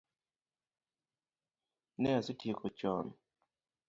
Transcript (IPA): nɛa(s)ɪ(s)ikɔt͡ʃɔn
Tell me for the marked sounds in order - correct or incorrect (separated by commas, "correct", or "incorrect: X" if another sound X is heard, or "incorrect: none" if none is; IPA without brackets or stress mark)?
correct, incorrect: t